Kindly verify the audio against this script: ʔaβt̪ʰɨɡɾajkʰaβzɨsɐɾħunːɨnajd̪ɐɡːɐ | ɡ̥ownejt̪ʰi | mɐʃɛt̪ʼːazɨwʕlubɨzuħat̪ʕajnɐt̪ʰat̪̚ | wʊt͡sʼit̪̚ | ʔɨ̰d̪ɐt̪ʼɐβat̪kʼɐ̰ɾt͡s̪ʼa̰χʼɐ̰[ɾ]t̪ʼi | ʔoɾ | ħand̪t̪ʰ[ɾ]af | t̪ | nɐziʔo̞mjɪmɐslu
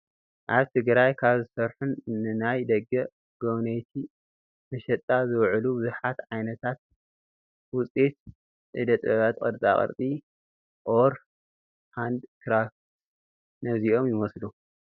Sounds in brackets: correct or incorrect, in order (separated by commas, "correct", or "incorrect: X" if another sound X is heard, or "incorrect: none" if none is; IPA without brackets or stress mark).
correct, correct